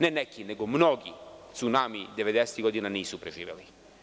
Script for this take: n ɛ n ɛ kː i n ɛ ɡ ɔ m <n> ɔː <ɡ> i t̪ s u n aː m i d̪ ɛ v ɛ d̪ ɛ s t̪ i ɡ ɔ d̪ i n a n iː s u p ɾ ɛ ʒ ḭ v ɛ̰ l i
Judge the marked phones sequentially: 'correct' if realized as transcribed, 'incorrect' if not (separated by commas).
correct, correct